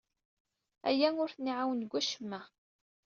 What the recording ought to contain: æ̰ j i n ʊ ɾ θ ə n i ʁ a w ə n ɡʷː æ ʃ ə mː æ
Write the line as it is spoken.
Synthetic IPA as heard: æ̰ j æ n ʊ ɾ θ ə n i ʕ a w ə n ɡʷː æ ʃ ə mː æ